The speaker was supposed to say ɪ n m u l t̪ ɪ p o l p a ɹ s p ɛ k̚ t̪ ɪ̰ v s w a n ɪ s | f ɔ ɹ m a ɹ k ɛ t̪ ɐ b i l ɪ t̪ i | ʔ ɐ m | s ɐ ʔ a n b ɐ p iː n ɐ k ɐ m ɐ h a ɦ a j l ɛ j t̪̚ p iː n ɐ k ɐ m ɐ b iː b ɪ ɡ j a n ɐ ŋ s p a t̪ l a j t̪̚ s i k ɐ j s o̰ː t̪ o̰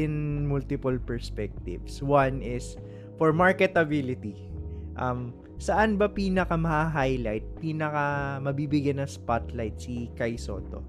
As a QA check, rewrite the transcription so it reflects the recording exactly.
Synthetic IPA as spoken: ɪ n m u l t̪ ɪ p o l p ɛ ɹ s p ɛ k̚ t̪ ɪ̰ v s w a n ɪ s | f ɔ ɹ m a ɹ k ɛ t̪ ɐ b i l ɪ t̪ i | ʔ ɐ m | s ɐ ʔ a n b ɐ p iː n ɐ k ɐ m ɐ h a ɦ a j l a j t̪̚ p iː n ɐ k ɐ m ɐ b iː b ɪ ɡ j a n ɐ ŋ s p a t̪ l a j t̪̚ s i k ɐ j s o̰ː t̪ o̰